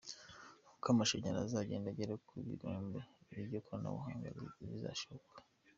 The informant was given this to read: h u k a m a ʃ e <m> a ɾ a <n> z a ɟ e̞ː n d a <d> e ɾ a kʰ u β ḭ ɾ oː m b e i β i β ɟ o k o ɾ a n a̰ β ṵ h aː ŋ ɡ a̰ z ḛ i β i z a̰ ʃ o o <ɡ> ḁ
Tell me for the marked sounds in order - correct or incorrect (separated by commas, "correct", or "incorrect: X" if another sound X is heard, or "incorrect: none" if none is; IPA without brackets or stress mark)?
incorrect: ɲ, incorrect: none, incorrect: ɟ, incorrect: k